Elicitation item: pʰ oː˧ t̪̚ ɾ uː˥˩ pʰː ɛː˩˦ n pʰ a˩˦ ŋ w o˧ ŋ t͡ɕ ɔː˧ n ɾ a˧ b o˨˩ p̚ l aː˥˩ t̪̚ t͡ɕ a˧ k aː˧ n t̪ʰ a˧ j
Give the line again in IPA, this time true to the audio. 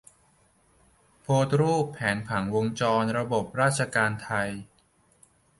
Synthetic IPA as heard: pʰ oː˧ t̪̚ ɾ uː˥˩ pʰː ɛː˩˦ n pʰ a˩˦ ŋ w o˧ ŋ t͡ɕ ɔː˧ n ɾ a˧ b o˨˩ p̚ ɾ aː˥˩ t̪̚ t͡ɕʰ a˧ k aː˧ n t̪ʰ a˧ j